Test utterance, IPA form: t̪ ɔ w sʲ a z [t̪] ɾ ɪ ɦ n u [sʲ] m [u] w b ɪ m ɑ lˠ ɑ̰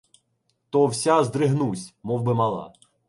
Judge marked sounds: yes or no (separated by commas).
no, yes, no